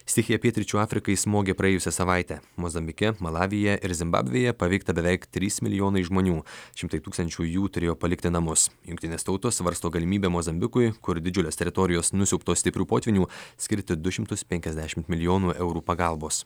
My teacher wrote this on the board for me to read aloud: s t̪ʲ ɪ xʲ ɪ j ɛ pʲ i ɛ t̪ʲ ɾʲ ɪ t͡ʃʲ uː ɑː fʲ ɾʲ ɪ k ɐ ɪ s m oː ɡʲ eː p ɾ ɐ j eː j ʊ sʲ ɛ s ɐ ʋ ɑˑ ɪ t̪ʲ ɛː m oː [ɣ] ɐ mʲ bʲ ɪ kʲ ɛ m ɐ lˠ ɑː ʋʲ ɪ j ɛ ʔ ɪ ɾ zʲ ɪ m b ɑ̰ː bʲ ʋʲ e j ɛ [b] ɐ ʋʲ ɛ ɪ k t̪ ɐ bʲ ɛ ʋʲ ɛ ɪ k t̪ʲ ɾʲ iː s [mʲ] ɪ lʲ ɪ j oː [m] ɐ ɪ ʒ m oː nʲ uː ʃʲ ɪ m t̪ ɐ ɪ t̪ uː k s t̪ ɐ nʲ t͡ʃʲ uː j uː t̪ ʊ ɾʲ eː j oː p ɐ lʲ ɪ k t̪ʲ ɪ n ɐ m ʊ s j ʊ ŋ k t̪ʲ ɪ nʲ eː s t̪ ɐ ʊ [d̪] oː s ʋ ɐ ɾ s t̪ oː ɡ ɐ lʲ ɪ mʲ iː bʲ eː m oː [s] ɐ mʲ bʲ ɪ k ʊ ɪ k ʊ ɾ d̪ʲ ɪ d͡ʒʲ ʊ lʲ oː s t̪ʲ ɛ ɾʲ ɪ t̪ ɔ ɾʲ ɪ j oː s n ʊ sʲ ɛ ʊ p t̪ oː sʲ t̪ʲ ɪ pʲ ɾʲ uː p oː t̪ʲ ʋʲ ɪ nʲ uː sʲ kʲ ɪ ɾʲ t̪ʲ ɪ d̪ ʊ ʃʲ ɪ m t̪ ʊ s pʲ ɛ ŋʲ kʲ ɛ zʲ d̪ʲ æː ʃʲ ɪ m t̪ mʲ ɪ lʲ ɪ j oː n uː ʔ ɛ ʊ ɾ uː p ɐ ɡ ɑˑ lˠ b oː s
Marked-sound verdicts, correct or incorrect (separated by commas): incorrect, incorrect, correct, incorrect, incorrect, incorrect